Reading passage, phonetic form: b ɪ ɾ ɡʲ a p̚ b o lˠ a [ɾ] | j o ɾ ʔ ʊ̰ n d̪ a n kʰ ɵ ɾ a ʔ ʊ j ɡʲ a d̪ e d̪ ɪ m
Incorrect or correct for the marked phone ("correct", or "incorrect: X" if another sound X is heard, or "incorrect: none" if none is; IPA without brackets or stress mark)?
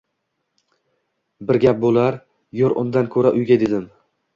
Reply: correct